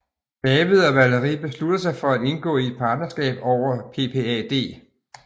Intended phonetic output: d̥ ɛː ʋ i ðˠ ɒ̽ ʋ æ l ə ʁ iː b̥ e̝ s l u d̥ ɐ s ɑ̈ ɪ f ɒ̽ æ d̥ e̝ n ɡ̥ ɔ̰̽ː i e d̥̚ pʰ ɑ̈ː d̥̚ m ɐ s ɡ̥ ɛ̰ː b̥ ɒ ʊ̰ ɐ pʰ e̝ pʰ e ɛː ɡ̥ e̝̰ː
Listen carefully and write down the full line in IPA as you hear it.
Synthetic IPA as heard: b̥ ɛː ʋ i ðˠ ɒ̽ ʋ æ l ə ʁ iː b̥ e̝ s l u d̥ ɐ s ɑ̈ ɪ f ɒ̽ æ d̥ e̝ n ɡ̥ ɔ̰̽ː i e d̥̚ pʰ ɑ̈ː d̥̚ n ɐ s ɡ̥ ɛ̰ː b̥ ɒ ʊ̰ ɐ pʰ e̝ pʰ e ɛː d̥ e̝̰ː